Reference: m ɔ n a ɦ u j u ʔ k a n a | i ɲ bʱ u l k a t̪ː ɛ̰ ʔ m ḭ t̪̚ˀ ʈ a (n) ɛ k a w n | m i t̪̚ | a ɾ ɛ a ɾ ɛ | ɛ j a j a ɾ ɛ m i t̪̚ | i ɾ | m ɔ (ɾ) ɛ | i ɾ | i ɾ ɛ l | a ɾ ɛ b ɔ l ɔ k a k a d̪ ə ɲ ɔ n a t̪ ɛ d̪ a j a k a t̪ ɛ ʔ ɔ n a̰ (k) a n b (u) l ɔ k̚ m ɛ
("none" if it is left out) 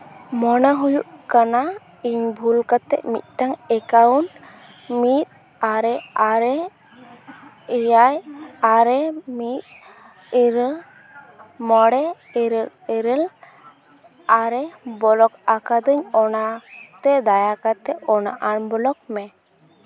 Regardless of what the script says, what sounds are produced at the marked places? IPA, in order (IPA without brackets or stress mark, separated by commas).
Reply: ŋ, ɽ, ʔ, ɔ